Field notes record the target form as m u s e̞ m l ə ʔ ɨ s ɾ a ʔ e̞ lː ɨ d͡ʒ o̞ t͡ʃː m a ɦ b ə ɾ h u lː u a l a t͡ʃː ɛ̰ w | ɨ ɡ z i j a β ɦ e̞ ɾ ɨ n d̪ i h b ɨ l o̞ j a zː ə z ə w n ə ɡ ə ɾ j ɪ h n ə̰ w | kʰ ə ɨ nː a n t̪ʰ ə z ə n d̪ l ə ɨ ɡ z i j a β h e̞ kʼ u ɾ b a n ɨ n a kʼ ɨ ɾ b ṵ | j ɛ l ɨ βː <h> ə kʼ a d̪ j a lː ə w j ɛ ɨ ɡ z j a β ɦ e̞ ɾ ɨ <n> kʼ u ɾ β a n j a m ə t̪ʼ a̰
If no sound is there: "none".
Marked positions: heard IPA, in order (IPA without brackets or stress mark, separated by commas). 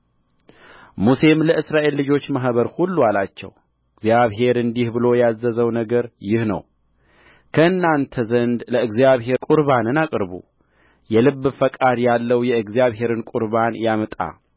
f, n